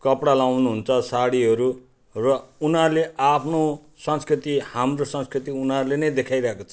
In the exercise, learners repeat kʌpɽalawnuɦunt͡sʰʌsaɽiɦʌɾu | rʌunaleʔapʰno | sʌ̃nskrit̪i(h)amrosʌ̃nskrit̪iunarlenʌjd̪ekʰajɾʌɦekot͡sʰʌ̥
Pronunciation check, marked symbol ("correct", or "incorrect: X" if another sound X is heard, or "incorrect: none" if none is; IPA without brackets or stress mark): correct